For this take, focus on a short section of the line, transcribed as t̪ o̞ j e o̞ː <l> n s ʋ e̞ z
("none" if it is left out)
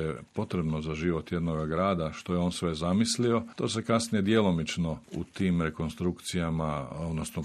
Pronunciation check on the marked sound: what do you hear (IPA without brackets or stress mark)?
none